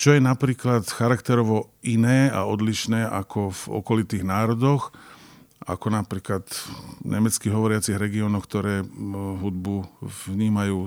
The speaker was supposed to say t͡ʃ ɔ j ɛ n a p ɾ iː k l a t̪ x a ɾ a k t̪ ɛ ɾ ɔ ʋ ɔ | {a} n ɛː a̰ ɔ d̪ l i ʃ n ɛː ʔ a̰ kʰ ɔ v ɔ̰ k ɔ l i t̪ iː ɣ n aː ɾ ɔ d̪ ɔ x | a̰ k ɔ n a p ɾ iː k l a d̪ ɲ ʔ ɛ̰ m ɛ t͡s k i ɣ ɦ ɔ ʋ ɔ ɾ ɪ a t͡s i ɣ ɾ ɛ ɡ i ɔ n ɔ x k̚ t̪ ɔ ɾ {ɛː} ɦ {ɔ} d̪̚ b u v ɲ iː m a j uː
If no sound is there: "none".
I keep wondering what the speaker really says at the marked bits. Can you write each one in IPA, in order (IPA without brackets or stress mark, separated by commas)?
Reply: i, ɛː, u